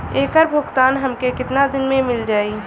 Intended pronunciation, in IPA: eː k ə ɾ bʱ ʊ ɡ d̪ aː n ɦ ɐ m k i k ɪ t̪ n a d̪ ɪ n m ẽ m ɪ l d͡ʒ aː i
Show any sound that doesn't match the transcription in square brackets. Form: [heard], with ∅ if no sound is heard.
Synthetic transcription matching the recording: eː k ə ɾ bʱ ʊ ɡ [t̪] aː n ɦ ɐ m k [e] k ɪ t̪ n a d̪ ɪ n m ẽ m ɪ l d͡ʒ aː i